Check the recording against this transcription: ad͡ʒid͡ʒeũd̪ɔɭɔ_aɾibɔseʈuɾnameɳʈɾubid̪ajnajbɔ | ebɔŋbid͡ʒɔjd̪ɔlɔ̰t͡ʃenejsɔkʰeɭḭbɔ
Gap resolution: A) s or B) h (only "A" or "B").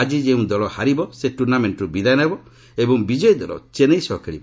B